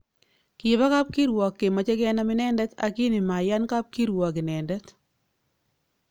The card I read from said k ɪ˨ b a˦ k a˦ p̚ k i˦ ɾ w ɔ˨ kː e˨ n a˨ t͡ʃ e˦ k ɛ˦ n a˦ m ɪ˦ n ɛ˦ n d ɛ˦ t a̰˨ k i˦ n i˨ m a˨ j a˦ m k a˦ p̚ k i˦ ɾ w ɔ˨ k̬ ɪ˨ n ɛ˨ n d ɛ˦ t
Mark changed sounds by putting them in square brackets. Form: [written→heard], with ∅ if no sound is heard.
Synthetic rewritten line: k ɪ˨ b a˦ k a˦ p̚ k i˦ ɾ w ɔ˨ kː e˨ [n→m] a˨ t͡ʃ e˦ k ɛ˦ n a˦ m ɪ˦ n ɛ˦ n d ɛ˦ t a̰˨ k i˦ n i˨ m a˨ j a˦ [m→n] k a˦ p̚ k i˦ ɾ w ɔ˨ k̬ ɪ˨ n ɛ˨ n d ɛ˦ t